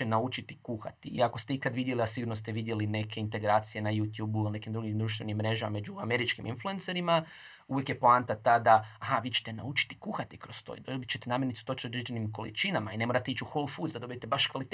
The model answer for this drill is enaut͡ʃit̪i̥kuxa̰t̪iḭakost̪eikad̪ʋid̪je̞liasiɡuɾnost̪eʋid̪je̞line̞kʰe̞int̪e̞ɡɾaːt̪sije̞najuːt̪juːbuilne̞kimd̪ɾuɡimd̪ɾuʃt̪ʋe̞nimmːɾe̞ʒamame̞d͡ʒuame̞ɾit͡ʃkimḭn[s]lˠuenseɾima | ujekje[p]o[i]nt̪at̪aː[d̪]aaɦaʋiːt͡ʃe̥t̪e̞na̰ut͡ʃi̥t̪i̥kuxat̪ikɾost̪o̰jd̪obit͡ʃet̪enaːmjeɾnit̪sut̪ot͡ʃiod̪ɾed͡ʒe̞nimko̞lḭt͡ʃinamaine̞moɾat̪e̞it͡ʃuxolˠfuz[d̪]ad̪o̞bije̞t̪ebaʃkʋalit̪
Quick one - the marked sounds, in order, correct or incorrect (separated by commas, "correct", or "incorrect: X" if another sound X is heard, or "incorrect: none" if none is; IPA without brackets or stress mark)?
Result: incorrect: f, correct, incorrect: a, correct, correct